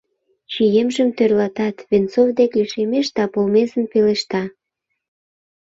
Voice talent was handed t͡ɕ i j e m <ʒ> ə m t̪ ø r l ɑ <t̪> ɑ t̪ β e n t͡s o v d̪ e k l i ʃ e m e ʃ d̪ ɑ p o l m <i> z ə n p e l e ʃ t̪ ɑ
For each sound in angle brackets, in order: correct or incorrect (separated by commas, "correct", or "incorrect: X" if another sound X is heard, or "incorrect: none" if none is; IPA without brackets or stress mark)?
correct, correct, incorrect: e